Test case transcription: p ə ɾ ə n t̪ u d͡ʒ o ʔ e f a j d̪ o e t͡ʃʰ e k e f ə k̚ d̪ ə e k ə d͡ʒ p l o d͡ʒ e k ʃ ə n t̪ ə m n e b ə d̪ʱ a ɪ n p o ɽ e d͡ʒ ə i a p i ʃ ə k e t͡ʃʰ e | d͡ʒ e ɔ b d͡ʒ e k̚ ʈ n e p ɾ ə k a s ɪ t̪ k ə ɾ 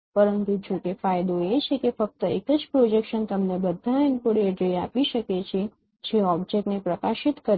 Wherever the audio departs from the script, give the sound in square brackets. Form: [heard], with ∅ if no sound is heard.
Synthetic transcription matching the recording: p ə ɾ ə n t̪ u d͡ʒ o [k] e f a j d̪ o e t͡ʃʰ e k e f ə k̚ [t̪] ə e k ə d͡ʒ p [ɾ] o d͡ʒ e k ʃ ə n t̪ ə m n e b ə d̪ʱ a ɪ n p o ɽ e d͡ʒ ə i a p i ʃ ə k e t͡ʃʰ e | d͡ʒ e ɔ b d͡ʒ e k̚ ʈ n e p ɾ ə k a [ʃ] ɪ t̪ k ə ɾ